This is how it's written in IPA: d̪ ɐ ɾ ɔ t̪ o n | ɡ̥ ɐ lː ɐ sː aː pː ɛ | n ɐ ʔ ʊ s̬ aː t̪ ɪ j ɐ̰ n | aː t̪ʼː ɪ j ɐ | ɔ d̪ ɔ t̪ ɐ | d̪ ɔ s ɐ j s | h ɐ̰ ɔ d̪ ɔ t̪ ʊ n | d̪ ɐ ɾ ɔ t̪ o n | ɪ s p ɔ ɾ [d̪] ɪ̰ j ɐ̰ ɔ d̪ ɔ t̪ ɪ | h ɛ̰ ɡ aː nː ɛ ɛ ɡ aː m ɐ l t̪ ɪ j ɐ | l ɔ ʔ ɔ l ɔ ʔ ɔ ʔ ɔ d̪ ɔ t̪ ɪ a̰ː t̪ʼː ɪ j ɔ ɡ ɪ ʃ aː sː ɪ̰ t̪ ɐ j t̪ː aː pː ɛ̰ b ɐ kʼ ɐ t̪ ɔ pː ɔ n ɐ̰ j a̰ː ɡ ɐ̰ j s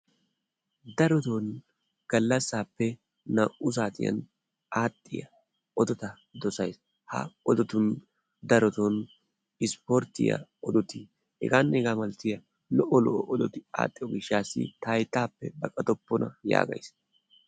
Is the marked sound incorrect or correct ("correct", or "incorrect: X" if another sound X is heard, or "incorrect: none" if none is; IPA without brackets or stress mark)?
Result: incorrect: t̪